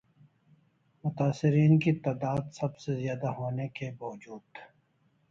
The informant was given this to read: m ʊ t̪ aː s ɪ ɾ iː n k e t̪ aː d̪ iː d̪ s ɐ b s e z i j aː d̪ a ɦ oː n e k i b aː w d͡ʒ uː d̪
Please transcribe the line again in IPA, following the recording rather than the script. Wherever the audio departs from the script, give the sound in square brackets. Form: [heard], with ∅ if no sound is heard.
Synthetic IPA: m ʊ t̪ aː s ɪ ɾ iː n k [i] t̪ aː d̪ [aː] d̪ s ɐ b s e z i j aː d̪ a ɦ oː n e k [e] b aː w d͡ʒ uː d̪